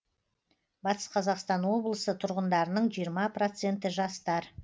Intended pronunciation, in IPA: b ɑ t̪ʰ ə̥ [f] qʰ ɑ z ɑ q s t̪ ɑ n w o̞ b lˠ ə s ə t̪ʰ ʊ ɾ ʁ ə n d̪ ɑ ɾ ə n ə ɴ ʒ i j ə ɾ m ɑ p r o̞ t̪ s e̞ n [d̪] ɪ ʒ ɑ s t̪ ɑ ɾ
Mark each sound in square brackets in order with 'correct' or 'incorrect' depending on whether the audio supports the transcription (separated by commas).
incorrect, incorrect